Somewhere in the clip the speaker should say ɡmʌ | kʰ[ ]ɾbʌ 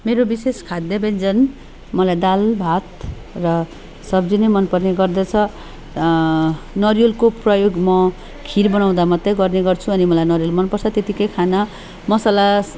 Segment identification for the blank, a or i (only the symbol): i